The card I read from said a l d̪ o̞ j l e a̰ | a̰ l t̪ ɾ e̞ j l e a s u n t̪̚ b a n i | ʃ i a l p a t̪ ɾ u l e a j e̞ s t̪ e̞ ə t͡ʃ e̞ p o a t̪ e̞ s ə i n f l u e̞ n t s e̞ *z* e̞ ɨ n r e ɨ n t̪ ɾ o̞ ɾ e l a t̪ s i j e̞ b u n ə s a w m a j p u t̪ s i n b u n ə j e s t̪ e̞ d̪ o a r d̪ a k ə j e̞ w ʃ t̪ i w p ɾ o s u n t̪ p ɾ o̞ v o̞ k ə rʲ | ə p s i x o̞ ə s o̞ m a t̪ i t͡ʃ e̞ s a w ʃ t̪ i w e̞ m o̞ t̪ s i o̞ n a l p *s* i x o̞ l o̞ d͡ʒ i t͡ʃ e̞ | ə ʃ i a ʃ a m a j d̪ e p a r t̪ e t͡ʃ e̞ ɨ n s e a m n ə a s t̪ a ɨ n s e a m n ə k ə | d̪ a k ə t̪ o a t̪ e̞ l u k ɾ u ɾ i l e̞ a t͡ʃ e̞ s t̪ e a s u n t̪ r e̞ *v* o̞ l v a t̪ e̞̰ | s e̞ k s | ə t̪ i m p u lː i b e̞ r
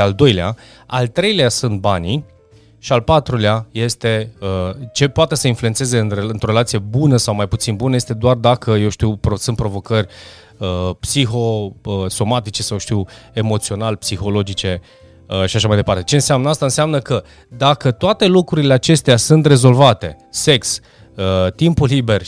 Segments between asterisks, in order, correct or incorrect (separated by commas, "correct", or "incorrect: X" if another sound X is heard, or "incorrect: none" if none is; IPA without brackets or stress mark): correct, correct, incorrect: z